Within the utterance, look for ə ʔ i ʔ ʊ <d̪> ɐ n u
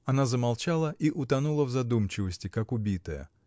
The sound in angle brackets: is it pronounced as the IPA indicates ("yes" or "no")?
no